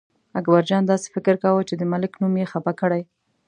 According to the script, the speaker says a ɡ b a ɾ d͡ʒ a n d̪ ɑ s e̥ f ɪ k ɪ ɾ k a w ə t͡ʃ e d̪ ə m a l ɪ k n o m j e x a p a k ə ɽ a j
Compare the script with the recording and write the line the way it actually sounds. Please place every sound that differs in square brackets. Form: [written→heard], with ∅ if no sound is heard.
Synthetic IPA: a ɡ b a ɾ d͡ʒ [a→ɑ] n d̪ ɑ s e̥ f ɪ k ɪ ɾ k a w ə t͡ʃ e d̪ ə m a l ɪ k n [o→u] m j e x a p a k ə ɽ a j